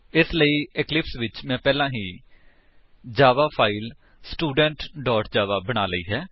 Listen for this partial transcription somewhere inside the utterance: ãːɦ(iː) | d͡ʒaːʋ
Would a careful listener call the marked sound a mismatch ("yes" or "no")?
no